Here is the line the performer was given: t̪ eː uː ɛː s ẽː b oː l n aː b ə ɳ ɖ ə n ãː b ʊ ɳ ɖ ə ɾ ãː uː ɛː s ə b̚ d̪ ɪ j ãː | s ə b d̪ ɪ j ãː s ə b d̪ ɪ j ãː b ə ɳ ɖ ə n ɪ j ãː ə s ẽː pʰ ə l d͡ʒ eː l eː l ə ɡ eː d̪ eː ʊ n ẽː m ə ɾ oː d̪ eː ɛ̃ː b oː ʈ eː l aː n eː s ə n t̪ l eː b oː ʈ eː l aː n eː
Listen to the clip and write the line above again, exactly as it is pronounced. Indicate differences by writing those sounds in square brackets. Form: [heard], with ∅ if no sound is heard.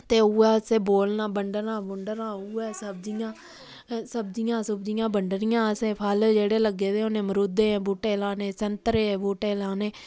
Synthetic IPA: t̪ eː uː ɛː s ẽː b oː l n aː b ə ɳ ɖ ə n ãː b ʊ ɳ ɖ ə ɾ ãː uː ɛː s ə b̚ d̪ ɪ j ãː | s ə b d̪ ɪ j ãː s ə b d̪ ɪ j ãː b ə ɳ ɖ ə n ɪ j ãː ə s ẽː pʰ ə l d͡ʒ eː [ɽ] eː l ə ɡ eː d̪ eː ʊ n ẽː m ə ɾ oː d̪ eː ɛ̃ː b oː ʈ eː l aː n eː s ə n t̪ [ɾ] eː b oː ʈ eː l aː n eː